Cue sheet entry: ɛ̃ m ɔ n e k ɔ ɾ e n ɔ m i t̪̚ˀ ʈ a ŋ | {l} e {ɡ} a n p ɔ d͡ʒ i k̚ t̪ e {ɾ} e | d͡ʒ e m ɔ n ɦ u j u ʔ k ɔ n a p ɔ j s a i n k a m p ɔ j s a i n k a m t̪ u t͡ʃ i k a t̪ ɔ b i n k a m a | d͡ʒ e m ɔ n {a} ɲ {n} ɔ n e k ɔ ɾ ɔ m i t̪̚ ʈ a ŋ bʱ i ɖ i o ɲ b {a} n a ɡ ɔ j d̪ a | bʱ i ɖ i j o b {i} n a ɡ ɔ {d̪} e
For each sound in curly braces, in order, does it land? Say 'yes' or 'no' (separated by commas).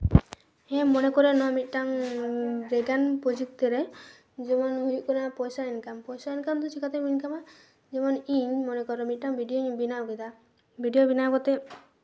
no, yes, yes, no, no, no, yes, no